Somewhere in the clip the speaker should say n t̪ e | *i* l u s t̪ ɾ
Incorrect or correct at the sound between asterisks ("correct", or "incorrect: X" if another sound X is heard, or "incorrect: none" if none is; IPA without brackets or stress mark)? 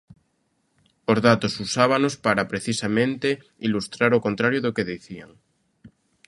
correct